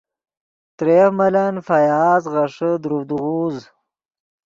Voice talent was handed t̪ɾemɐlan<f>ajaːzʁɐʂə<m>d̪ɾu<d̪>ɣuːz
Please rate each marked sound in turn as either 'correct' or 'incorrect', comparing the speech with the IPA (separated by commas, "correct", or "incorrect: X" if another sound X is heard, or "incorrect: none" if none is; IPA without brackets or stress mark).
correct, incorrect: none, correct